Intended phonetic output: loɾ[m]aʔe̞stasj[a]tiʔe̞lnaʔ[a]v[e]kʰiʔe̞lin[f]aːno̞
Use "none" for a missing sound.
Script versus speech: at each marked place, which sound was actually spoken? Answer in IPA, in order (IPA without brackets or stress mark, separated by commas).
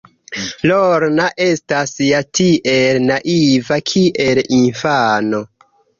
n, a, i, a, f